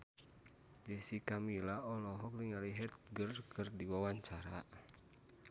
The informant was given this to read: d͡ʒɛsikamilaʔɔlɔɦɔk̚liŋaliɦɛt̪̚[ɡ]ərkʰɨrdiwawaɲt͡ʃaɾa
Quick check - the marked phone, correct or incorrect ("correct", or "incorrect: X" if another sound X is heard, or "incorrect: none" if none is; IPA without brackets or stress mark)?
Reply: correct